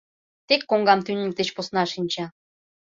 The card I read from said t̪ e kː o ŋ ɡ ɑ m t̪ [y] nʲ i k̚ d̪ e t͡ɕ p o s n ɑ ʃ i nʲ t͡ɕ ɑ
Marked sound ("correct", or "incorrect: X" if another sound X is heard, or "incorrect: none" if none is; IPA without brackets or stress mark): correct